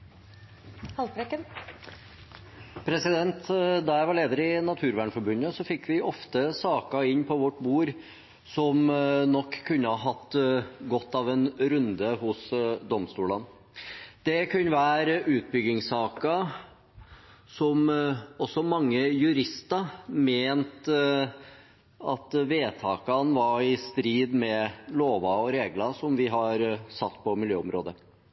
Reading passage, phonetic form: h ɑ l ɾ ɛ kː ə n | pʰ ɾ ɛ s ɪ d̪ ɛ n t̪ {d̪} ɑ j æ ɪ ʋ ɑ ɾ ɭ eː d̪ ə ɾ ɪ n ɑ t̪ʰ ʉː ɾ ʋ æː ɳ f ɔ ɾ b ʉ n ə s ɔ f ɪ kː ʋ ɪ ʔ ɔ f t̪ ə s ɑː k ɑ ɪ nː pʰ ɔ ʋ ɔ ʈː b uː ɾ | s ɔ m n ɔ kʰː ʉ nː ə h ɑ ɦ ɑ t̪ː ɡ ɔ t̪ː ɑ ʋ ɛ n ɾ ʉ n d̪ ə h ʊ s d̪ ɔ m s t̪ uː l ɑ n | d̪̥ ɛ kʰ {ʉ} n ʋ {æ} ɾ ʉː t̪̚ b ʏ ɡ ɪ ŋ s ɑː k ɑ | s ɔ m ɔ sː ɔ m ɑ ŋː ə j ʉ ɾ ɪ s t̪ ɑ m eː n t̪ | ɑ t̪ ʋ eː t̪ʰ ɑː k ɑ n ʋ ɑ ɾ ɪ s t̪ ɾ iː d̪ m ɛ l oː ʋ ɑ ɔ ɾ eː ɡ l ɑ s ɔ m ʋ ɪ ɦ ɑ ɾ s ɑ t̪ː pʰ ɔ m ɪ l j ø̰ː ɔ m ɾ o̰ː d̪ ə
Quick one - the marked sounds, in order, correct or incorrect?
correct, correct, incorrect

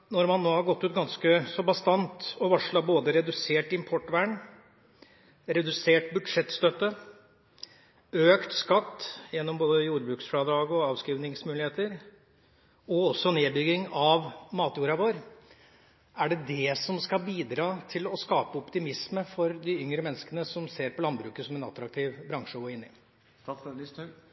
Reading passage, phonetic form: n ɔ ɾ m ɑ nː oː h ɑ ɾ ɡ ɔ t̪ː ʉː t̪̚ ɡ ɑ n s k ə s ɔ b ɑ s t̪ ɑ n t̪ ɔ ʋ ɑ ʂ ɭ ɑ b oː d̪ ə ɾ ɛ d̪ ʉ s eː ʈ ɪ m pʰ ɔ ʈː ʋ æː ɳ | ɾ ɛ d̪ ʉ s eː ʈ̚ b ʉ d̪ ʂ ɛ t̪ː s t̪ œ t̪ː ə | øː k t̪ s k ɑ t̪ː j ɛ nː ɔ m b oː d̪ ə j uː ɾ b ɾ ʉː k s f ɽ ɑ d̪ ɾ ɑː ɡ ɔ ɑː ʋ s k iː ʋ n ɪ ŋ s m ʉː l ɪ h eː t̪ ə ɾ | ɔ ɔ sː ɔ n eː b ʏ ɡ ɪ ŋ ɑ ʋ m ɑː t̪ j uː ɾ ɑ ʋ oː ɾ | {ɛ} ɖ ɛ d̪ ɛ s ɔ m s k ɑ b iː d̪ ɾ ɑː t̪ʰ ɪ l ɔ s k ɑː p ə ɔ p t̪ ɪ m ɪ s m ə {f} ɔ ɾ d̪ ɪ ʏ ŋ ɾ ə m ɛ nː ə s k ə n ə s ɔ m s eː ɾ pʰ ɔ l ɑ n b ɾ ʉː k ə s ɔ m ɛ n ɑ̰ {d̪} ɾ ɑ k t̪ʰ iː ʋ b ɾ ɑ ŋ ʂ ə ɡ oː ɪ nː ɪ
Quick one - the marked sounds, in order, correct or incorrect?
incorrect, correct, incorrect

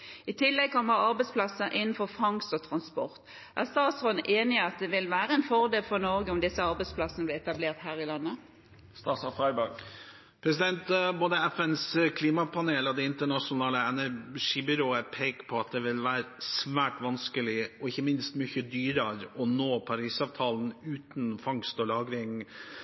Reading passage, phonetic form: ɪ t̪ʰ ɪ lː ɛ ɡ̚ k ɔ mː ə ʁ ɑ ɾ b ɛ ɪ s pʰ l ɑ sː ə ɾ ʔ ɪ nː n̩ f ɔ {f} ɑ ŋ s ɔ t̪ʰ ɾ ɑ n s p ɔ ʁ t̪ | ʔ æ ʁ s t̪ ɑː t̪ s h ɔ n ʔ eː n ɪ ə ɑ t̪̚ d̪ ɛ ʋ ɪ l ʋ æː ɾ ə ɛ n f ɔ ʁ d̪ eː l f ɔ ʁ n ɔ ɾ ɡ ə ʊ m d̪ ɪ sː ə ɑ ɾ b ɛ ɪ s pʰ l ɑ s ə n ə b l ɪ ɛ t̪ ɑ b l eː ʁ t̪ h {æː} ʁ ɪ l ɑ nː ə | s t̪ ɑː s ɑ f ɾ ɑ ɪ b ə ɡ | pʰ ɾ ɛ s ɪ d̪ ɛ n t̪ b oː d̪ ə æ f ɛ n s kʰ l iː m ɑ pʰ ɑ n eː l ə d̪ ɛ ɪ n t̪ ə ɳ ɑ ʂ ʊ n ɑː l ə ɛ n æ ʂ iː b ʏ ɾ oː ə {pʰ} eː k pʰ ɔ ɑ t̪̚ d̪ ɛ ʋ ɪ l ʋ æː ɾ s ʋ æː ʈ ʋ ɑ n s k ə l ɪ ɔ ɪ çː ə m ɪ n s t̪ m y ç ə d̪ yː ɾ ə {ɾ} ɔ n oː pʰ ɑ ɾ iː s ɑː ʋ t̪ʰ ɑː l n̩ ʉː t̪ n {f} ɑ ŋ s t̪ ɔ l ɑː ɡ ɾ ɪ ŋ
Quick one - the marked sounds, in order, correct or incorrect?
correct, correct, correct, correct, correct

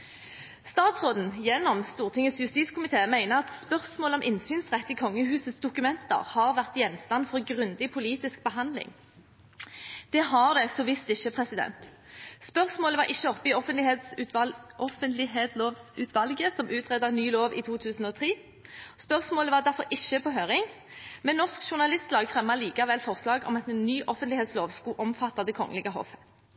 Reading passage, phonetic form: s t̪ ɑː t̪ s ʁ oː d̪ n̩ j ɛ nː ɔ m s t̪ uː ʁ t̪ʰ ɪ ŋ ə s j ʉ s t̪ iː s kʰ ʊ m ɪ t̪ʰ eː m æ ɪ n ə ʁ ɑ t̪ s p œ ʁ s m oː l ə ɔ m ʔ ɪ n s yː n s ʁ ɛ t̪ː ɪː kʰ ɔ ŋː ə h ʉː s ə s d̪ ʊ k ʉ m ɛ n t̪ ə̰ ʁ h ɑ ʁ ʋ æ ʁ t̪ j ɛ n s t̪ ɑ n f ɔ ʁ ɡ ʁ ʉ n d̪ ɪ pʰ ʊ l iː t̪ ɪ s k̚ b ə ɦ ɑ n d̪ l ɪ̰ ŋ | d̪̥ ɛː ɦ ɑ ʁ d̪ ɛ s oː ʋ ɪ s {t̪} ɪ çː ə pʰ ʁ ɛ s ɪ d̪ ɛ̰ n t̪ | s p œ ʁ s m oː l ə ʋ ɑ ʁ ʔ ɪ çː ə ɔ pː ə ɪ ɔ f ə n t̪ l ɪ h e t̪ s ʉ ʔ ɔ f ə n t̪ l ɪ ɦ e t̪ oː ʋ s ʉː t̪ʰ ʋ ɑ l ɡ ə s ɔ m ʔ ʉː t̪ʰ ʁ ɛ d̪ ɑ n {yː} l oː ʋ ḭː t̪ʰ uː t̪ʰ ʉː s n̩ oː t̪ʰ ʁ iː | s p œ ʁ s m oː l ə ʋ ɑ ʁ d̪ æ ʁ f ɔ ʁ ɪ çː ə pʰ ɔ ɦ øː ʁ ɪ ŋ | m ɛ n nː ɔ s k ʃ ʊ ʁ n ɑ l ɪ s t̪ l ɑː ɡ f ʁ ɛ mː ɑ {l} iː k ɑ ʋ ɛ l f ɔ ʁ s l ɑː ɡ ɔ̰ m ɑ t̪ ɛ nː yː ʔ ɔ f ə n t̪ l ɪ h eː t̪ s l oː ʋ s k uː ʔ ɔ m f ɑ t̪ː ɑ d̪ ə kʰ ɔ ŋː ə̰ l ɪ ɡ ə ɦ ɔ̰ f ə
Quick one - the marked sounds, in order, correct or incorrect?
correct, correct, correct

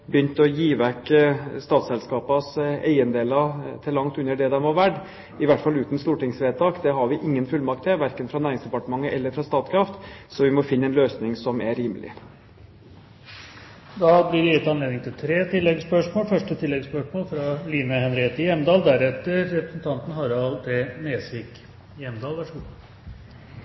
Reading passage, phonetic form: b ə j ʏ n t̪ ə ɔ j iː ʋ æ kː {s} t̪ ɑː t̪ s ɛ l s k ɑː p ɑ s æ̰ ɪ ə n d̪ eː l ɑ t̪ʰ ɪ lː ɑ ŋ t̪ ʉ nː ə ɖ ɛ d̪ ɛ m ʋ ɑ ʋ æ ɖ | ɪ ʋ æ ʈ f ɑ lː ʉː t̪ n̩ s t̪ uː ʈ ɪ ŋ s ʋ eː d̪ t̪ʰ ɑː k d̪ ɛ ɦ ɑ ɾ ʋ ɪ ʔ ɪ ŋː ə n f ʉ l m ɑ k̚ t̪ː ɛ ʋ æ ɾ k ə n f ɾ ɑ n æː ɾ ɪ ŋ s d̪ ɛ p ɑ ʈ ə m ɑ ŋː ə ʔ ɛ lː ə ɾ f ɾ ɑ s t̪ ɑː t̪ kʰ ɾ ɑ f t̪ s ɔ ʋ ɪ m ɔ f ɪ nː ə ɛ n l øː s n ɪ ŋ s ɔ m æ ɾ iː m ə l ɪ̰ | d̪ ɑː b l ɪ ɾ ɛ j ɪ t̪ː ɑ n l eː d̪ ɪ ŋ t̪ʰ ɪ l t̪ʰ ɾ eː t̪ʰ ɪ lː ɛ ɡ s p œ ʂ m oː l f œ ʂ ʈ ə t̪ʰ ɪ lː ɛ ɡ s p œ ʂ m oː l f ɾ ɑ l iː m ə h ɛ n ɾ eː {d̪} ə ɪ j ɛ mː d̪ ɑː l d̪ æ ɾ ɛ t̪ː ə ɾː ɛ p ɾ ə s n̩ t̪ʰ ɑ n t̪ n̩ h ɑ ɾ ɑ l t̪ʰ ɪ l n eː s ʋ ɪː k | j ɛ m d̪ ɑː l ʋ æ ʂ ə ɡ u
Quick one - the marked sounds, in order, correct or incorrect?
correct, incorrect

